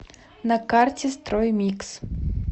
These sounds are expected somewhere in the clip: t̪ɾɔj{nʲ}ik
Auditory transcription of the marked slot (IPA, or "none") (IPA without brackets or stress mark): mʲ